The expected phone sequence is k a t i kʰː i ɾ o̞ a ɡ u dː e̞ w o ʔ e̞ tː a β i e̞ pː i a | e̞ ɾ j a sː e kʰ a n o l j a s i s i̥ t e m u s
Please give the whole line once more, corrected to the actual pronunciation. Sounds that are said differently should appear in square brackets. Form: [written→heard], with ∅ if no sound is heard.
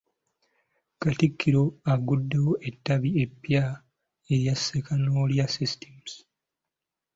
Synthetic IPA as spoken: k a t i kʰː i ɾ o̞ a ɡ u dː e̞ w o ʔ e̞ tː a β i e̞ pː [i→j] a | e̞ ɾ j a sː e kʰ a n o l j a s i s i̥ t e m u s